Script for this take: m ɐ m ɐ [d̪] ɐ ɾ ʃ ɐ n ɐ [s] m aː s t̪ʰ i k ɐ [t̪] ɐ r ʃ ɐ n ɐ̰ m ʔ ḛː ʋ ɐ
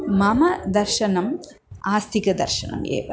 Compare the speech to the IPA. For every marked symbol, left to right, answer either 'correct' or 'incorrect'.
correct, incorrect: none, incorrect: d̪

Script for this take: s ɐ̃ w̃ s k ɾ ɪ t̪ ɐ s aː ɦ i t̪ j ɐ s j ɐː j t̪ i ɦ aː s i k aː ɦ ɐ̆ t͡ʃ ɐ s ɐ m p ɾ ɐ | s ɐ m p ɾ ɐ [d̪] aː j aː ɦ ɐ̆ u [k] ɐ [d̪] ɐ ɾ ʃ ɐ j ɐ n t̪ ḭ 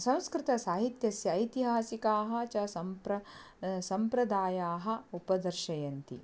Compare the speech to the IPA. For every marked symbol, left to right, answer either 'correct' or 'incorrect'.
correct, incorrect: p, correct

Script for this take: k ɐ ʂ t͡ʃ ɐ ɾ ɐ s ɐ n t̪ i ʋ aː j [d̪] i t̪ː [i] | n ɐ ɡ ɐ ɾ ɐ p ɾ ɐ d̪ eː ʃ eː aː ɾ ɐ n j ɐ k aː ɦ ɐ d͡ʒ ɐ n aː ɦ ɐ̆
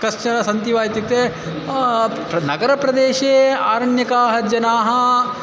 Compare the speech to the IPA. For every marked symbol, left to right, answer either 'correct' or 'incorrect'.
incorrect: t̪, incorrect: e

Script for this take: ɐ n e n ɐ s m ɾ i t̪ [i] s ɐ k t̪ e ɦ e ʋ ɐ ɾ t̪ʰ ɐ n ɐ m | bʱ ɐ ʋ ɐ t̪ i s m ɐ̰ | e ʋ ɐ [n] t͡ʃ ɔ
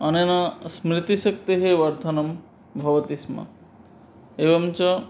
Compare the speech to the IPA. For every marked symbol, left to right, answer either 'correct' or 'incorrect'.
correct, incorrect: m

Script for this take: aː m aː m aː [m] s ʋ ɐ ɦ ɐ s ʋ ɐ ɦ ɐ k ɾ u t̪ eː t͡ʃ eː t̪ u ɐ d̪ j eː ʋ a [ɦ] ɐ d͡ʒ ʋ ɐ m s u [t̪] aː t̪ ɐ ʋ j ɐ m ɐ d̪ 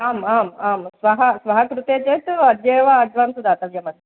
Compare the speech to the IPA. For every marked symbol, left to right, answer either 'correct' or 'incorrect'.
correct, incorrect: none, incorrect: d̪

